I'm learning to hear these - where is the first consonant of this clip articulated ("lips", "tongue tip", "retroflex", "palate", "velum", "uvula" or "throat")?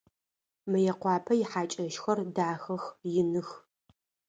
lips